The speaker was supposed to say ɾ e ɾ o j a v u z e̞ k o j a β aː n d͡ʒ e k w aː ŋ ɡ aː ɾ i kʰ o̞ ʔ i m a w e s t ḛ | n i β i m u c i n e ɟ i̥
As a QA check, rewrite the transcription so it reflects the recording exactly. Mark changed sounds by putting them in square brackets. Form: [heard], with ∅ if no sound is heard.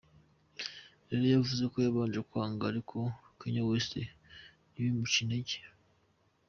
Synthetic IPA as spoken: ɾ e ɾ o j a v u z e̞ k o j a β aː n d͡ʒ e k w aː ŋ ɡ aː ɾ i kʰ o̞ [k] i [ɲ] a w e s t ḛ | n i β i m u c i n e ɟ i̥